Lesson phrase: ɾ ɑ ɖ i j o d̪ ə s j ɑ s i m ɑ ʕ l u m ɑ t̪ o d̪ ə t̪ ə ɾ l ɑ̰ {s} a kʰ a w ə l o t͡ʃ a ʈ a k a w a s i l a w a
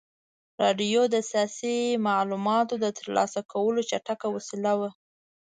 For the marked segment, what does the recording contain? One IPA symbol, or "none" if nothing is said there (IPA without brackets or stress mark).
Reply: s